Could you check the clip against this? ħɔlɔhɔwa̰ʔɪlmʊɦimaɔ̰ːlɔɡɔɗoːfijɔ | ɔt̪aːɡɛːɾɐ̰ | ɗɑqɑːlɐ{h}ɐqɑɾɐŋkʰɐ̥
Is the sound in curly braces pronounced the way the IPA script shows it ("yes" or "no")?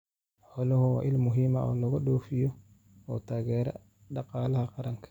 yes